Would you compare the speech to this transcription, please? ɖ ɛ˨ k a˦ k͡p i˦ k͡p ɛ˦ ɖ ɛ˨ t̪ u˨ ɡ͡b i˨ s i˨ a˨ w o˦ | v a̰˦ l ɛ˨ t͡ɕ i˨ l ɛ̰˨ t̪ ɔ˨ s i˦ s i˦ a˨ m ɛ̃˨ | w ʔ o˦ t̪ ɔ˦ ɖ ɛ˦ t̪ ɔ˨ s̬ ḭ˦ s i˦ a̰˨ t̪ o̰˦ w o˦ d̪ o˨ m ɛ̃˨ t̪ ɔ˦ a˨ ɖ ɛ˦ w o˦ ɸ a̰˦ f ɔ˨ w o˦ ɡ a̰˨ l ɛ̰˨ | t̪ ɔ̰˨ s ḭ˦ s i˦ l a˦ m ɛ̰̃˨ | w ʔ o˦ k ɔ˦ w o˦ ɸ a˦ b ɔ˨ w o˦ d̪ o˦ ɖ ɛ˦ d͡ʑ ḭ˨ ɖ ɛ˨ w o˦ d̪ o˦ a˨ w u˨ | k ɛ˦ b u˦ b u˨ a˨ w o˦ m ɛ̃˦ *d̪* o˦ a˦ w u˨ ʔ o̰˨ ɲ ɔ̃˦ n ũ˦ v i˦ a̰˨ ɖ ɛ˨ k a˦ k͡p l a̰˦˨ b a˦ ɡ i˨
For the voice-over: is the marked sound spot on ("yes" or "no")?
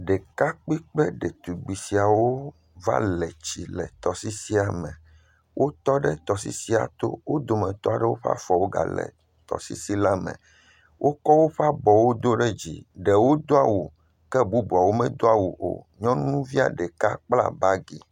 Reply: yes